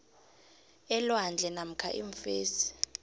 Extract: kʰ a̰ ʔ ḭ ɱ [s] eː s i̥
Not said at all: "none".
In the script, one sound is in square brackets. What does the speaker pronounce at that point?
f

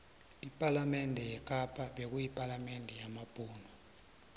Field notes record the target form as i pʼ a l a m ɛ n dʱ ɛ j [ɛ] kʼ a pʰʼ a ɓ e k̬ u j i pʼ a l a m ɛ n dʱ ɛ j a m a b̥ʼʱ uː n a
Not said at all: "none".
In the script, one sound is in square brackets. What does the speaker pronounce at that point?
ɛ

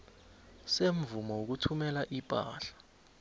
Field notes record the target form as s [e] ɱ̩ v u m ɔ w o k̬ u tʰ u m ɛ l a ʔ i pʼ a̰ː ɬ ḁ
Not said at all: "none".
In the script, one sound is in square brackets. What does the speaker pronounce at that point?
e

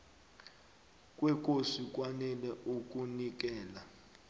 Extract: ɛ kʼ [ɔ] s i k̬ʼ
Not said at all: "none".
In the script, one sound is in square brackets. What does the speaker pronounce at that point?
o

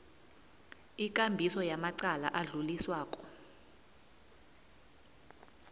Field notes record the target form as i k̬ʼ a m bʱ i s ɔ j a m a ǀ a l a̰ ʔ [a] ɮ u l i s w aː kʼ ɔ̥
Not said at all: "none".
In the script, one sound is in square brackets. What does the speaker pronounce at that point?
a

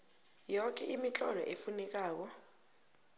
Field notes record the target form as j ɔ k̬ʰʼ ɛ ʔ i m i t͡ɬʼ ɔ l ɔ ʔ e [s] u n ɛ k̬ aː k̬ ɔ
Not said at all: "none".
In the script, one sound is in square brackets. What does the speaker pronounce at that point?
f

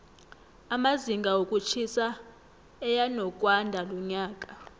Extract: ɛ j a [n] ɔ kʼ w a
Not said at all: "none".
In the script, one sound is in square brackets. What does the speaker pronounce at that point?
n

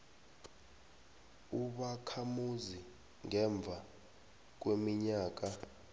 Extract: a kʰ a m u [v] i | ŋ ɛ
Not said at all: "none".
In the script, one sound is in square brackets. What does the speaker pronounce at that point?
z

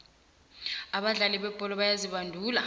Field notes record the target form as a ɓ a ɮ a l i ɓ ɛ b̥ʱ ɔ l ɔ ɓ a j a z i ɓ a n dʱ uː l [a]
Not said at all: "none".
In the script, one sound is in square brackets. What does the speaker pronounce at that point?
a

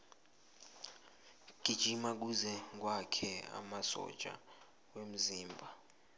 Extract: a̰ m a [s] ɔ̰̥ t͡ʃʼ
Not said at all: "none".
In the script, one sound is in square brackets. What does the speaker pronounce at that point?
s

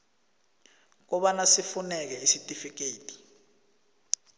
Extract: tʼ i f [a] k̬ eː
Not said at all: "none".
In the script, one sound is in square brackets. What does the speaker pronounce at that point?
i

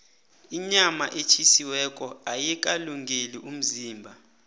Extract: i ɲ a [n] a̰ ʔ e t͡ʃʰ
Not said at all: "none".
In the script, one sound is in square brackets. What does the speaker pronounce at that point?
m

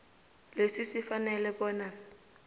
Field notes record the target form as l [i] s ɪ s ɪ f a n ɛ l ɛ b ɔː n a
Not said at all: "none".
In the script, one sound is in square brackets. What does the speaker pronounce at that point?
e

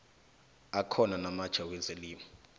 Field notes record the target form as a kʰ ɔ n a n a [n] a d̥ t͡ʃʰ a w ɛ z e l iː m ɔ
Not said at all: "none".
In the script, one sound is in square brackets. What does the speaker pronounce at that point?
m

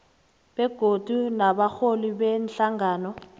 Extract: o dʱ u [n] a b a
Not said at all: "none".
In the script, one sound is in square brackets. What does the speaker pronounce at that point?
n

